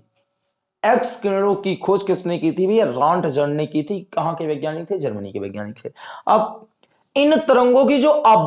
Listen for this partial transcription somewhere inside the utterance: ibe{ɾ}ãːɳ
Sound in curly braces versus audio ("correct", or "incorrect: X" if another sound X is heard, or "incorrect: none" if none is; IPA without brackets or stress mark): correct